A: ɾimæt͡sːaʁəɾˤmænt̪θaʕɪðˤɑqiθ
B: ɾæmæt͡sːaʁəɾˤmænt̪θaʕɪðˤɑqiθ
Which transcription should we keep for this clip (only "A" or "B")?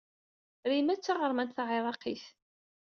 A